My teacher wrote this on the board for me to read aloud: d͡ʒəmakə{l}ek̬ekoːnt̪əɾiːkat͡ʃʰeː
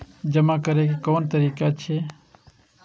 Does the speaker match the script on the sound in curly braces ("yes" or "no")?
no